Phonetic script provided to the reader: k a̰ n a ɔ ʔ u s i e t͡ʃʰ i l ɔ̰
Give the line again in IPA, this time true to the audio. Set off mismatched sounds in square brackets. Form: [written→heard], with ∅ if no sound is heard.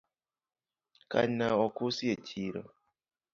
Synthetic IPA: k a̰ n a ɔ [ʔ→k] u s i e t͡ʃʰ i [l→ɾ] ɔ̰